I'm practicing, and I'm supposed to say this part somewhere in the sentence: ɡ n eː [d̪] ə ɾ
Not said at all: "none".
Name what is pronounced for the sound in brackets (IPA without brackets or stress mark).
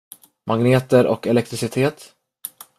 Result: t̪